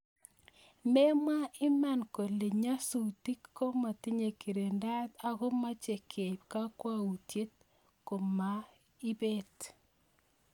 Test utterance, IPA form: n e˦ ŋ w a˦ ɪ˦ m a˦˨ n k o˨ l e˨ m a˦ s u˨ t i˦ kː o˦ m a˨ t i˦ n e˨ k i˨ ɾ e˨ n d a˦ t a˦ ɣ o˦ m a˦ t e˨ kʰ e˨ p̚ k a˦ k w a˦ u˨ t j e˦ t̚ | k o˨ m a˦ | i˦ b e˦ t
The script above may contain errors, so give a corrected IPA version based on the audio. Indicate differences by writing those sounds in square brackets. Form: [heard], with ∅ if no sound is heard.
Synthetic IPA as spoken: [m] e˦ [m] w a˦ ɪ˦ m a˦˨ n k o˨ l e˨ [ɲ] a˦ s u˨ t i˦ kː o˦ m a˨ t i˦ [ɲ] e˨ k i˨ ɾ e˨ n d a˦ t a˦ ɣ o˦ m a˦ [t͡ʃ] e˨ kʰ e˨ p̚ k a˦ k w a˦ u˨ t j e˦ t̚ | k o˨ m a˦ | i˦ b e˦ t